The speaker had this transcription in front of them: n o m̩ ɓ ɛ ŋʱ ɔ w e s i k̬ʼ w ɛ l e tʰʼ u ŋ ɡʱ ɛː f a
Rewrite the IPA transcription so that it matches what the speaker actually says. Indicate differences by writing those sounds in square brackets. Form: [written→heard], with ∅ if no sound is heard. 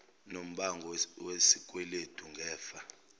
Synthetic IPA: n o m̩ ɓ [ɛ→a] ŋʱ ɔ w e s i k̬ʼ w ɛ l e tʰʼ u ŋ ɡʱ ɛː f a